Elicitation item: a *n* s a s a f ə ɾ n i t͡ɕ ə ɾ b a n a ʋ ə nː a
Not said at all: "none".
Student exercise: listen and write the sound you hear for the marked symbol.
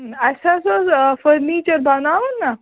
none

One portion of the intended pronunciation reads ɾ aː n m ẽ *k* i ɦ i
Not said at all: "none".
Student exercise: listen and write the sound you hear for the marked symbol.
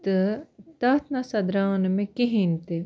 k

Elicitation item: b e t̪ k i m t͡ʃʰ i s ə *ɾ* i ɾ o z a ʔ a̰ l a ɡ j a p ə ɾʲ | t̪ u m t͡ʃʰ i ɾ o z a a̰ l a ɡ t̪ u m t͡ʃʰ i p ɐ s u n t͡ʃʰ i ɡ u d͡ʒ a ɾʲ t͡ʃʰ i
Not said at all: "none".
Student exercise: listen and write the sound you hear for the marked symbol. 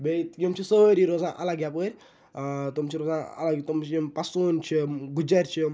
ɾ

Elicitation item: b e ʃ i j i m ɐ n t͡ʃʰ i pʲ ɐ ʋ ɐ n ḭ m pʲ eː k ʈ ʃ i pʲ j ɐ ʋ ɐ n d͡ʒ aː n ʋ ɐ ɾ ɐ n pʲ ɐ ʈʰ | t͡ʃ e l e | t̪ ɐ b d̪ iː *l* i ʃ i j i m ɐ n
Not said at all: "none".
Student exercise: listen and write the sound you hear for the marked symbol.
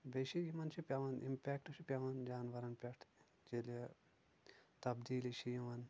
l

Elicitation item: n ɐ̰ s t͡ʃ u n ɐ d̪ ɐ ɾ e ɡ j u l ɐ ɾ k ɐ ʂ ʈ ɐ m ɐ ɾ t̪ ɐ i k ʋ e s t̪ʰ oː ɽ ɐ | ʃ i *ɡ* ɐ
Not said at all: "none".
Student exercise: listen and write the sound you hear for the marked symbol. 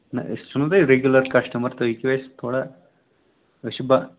b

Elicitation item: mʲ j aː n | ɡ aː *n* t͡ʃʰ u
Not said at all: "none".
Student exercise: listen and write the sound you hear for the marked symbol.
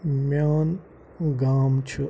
m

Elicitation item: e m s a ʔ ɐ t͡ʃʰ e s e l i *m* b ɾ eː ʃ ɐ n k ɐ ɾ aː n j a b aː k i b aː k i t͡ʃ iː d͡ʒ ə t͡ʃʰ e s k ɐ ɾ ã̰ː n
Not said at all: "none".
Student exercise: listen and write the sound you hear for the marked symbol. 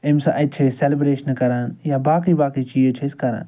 none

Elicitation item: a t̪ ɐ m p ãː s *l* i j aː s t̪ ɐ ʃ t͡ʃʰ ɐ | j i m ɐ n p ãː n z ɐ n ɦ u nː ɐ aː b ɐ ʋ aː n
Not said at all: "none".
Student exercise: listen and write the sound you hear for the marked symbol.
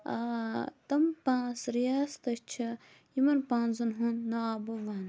ɾ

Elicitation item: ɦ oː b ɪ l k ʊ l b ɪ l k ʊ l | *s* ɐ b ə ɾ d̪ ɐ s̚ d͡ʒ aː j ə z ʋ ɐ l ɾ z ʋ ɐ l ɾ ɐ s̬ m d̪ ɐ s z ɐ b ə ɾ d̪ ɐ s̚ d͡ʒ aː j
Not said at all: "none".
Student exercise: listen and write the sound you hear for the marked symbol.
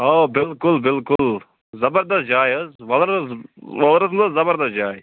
z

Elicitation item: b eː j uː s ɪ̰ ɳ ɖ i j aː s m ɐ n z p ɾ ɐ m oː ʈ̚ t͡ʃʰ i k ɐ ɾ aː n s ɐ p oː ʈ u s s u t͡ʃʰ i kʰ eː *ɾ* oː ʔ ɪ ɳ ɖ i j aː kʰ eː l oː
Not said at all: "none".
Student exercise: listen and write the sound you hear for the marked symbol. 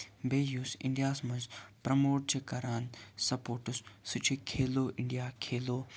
l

